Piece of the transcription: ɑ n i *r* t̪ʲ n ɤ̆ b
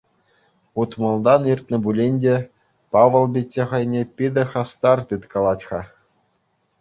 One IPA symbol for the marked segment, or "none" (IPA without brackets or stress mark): r